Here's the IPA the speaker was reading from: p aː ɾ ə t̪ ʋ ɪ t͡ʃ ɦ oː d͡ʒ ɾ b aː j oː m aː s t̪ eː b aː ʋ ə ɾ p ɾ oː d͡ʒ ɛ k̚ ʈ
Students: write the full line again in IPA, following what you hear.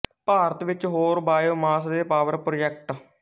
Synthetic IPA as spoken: p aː ɾ ə t̪ ʋ ɪ t͡ʃ ɦ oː ɾ b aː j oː m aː s d̪ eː p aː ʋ ə ɾ p ɾ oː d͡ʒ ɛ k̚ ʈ